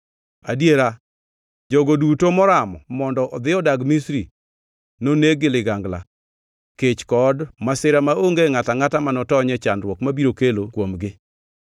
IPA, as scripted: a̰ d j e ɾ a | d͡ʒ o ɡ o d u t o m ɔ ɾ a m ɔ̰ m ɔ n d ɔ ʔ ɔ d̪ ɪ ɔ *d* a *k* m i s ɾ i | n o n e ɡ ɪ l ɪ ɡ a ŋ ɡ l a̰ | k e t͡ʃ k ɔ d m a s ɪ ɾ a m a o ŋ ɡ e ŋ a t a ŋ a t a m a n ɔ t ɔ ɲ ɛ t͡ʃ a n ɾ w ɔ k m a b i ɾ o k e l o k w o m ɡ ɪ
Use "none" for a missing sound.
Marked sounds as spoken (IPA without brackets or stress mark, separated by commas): d, ɡ